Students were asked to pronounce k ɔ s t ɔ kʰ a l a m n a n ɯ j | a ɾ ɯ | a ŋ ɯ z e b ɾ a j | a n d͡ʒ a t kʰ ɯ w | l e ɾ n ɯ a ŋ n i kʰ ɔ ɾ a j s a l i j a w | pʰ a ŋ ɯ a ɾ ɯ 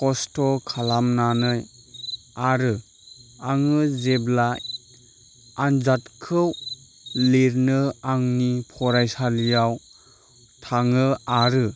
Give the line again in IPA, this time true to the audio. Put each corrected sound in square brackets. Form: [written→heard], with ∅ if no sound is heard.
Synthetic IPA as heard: k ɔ s t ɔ kʰ a l a m n a n ɯ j | a ɾ ɯ | a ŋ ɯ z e b [ɾ→l] a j | a n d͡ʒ a t kʰ ɯ w | l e ɾ n ɯ a ŋ n i [kʰ→pʰ] ɔ ɾ a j s a l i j a w | [pʰ→tʰ] a ŋ ɯ a ɾ ɯ